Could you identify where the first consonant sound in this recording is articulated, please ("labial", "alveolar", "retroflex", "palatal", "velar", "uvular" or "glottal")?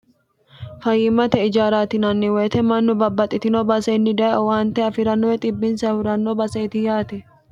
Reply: labial